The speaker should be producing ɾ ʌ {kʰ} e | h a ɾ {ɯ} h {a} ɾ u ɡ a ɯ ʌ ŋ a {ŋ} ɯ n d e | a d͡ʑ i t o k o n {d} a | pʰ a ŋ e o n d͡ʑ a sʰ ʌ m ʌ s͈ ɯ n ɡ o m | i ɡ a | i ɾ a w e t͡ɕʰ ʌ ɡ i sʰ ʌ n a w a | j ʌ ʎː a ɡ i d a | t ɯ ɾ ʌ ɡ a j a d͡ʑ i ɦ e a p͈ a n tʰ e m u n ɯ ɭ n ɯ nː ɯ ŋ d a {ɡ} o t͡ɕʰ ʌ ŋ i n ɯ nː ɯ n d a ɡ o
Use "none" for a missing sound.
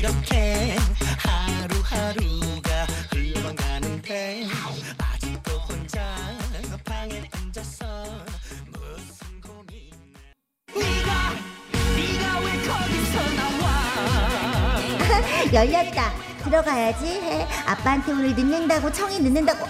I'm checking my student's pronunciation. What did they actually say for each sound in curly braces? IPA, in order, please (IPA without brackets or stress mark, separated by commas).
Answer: kʰ, u, a, n, d͡ʑ, ɡ